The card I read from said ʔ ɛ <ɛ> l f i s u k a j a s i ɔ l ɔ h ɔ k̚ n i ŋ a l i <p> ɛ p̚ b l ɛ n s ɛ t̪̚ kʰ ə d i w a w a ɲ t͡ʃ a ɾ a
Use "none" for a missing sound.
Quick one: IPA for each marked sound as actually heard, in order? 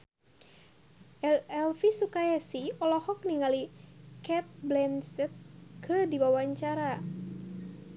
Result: ɛ, k

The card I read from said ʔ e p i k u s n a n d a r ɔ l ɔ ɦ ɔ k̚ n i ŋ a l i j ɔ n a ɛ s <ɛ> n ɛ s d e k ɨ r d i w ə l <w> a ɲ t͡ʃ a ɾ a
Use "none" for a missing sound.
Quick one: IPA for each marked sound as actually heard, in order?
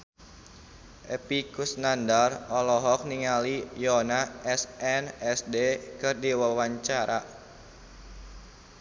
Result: ɛ, w

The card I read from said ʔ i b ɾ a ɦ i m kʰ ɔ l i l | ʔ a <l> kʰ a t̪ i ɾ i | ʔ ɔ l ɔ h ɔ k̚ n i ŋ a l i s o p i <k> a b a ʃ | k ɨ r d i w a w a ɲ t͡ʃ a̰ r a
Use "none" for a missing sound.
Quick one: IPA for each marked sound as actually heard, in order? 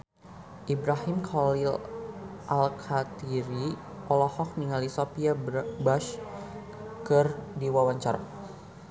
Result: l, none

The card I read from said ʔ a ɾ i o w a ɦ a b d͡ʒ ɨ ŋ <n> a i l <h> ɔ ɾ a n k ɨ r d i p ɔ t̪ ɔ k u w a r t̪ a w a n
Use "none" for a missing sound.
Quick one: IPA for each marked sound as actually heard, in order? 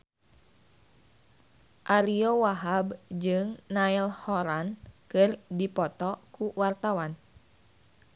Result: n, h

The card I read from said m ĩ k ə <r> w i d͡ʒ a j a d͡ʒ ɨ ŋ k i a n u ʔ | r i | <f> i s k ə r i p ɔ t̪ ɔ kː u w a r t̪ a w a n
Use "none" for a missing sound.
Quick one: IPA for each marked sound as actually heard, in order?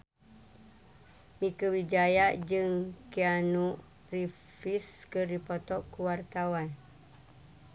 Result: none, f

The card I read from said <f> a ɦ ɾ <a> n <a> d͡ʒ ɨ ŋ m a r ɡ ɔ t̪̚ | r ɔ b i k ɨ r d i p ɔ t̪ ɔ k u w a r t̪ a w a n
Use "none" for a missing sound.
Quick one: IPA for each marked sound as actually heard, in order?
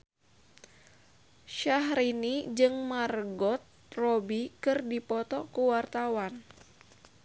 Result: ʃ, i, i

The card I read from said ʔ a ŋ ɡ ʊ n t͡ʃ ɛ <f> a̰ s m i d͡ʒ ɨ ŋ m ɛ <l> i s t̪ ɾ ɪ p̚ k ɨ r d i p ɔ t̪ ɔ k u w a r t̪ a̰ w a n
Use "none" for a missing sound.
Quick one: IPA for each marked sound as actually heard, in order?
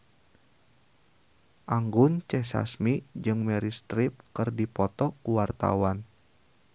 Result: s, ɾ

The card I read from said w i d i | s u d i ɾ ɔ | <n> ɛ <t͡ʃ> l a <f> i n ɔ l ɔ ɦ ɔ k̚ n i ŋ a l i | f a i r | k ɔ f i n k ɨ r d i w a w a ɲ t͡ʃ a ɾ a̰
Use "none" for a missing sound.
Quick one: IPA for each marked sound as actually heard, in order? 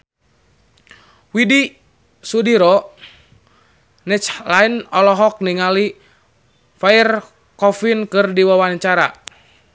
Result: n, t͡ʃ, none

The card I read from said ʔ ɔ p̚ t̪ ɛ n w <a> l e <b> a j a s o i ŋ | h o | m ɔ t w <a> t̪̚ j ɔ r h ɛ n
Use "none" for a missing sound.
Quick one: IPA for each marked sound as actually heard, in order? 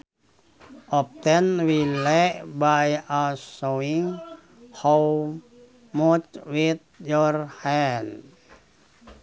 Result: i, b, i

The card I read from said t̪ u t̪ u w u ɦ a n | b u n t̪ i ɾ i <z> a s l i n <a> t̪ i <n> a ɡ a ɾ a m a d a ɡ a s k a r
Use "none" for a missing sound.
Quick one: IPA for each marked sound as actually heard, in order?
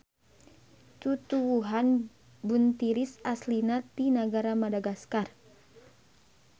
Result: s, a, n

